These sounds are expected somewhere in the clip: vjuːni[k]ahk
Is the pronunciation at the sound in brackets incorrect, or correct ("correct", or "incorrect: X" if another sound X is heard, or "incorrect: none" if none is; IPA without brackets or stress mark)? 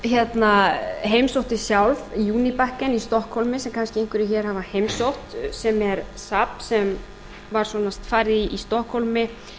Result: incorrect: p